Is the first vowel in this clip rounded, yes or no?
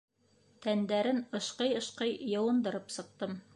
no